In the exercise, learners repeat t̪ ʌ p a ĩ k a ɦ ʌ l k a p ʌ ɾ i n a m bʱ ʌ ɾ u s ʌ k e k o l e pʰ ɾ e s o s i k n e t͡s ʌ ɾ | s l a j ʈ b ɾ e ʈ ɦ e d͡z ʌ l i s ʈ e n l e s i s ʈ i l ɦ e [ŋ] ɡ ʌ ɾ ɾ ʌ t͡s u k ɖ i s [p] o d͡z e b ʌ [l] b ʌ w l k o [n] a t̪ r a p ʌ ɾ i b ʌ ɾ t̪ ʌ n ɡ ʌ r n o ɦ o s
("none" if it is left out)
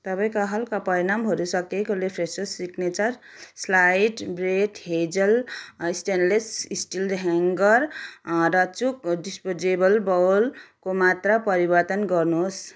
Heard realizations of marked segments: ŋ, p, l, m

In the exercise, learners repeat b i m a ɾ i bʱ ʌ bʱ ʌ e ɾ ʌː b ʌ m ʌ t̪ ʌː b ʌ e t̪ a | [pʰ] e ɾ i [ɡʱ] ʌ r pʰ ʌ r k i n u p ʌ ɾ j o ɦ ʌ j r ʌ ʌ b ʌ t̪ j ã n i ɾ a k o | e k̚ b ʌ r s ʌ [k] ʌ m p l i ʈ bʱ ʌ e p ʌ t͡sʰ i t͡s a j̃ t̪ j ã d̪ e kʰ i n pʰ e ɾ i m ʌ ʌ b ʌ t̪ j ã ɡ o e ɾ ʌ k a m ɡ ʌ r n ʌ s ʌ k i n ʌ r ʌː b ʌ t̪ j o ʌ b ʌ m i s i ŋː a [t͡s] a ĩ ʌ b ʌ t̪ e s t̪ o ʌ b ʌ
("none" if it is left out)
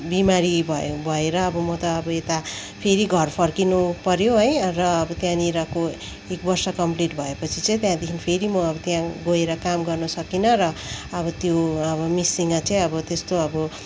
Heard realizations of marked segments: pʰ, ɡʱ, k, t͡s

